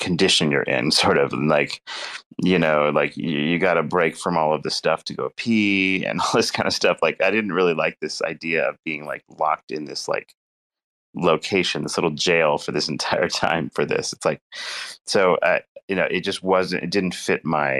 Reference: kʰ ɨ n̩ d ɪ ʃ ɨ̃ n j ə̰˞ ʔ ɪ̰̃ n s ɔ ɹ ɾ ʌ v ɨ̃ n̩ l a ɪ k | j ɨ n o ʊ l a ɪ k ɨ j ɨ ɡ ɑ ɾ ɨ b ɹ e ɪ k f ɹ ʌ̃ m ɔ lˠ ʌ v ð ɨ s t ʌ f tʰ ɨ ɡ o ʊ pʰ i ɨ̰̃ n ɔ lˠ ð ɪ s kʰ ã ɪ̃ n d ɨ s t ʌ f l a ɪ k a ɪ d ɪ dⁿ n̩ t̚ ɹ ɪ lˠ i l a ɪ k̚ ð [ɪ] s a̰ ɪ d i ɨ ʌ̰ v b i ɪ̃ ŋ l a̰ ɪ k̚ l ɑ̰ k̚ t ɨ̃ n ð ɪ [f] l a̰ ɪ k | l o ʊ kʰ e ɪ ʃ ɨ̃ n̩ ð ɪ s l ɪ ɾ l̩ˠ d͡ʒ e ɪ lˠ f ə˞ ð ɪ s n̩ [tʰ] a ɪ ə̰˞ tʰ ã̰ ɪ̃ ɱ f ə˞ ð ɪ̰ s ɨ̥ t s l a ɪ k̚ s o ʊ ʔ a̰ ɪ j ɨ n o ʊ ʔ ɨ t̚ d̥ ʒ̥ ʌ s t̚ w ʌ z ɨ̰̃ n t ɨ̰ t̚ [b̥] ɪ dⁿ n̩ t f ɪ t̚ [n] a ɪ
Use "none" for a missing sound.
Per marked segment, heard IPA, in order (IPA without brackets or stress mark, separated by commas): ɪ, s, tʰ, d̥, m